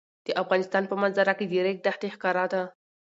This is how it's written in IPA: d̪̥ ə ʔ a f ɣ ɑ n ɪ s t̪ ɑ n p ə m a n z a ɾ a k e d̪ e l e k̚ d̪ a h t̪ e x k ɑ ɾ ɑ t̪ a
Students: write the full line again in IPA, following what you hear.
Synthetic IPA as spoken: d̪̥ ə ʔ a f ɣ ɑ n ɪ s t̪ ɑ n p ə m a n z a ɾ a k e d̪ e ɾ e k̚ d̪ a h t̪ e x k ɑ ɾ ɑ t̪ a